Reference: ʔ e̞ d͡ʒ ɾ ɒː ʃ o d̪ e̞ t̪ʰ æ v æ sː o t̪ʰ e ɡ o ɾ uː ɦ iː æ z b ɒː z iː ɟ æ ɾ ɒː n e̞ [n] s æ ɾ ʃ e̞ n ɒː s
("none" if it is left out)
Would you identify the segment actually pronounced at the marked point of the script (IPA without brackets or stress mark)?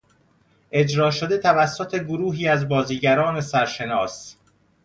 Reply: none